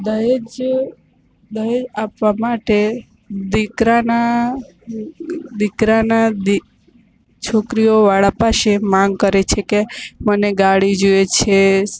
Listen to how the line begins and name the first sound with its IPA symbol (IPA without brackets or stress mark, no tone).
d̪